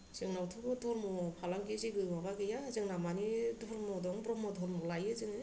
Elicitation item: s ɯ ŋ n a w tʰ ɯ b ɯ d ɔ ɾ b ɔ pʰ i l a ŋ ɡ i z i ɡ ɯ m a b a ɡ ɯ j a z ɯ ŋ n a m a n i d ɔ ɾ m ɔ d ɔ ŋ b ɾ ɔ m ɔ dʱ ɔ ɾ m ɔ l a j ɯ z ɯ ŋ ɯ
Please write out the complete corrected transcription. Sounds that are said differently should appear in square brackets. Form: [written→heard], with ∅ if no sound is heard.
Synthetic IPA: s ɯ ŋ n a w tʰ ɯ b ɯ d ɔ ɾ [b→m] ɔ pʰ [i→a] l a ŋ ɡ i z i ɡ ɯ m a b a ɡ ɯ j a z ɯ ŋ n a m a n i d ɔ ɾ m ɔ d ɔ ŋ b ɾ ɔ m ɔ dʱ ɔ ɾ m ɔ l a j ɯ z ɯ ŋ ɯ